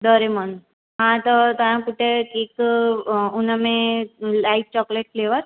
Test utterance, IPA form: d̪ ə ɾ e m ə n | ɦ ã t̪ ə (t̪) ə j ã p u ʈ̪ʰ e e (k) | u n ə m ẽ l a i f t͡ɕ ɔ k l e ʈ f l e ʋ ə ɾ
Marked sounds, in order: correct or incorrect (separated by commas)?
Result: correct, correct